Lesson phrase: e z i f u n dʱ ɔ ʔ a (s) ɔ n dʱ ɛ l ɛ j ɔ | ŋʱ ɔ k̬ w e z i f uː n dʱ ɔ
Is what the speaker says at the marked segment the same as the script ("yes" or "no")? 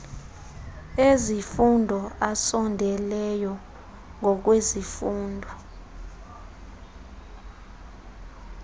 yes